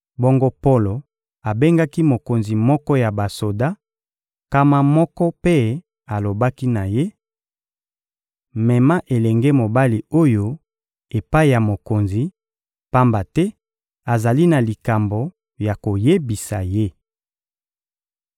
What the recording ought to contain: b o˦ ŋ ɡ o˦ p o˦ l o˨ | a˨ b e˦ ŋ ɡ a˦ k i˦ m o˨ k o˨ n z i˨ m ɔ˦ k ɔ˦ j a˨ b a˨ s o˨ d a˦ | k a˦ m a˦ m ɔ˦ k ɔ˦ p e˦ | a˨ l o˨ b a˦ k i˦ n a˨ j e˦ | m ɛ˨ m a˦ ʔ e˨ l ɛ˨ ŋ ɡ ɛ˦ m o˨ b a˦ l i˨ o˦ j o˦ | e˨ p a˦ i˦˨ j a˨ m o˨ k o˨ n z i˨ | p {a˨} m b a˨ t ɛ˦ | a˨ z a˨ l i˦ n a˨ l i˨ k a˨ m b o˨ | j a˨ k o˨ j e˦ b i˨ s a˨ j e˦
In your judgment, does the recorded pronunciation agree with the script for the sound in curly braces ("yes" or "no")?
no